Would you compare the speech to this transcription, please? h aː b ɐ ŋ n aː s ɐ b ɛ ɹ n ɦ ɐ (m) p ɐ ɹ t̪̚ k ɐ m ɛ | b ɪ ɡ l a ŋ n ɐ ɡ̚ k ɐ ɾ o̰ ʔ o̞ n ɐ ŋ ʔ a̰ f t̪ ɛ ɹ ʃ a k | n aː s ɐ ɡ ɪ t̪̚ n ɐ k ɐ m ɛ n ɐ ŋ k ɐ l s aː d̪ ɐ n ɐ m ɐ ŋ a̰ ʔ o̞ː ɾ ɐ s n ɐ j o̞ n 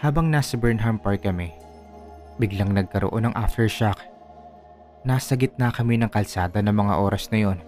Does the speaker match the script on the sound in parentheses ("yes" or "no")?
yes